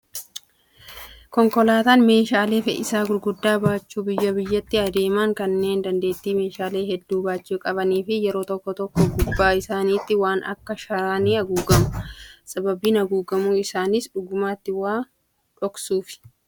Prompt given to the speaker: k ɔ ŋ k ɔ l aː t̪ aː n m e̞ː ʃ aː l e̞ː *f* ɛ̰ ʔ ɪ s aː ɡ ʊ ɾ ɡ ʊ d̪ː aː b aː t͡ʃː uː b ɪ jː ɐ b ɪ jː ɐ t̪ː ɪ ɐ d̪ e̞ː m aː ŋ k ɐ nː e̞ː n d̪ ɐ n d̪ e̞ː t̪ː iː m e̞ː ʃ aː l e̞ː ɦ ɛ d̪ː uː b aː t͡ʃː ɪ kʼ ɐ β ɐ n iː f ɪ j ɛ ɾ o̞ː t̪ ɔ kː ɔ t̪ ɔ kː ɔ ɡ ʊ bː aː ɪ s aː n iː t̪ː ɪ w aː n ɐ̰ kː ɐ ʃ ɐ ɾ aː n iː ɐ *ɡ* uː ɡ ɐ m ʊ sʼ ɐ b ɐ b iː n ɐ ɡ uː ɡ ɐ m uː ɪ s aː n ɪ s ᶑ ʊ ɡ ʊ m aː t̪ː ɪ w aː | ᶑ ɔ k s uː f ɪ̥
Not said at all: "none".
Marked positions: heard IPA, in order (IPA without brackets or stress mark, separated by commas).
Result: f, ɡ